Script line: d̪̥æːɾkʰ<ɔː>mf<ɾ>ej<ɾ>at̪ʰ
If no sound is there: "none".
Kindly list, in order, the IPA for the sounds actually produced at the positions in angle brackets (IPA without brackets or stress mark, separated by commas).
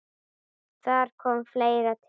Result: ɔ, l, ɾ